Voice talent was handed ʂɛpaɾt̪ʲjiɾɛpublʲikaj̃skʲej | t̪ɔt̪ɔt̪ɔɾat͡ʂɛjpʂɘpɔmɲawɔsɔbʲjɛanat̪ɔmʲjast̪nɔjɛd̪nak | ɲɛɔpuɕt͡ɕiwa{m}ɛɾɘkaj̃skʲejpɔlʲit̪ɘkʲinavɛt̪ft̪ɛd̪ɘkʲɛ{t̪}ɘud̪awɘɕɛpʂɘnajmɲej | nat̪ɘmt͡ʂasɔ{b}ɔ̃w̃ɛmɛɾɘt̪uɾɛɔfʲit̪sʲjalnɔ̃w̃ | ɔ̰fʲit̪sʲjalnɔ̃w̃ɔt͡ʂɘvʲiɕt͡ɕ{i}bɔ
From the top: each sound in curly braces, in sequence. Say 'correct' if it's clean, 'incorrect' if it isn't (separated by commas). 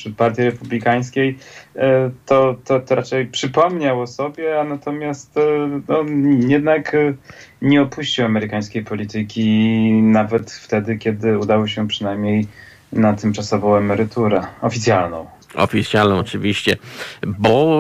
correct, incorrect, incorrect, incorrect